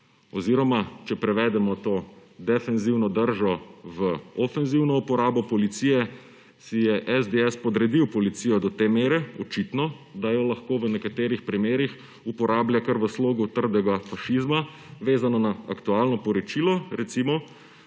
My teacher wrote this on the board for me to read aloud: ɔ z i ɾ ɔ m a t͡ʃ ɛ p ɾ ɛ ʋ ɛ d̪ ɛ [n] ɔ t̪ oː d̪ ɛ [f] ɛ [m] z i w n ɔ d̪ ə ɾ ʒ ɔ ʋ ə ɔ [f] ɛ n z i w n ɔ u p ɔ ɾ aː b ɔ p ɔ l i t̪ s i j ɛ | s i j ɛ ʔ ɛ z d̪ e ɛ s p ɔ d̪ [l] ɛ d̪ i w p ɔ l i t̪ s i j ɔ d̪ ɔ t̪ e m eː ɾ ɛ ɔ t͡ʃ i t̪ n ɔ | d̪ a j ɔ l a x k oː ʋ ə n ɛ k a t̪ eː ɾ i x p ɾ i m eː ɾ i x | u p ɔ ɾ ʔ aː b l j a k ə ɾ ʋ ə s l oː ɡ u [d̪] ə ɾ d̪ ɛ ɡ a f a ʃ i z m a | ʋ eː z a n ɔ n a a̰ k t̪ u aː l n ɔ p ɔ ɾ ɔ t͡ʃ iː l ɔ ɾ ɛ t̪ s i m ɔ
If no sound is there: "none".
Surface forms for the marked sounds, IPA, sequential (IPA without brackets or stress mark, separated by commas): m, f, n, f, ɾ, t̪